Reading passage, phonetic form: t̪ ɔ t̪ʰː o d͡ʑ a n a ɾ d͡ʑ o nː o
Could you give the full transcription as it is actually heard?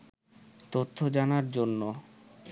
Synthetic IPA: t̪ o t̪ʰː o d͡ʑ a n a ɾ d͡ʑ o nː o